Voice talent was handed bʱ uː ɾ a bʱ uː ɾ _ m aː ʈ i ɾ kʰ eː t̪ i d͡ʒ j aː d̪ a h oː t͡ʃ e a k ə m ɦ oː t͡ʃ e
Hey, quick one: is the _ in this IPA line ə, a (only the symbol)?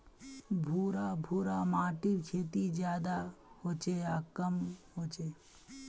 a